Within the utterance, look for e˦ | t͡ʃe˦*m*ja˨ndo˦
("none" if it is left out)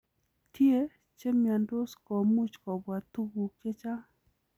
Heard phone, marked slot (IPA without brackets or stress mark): m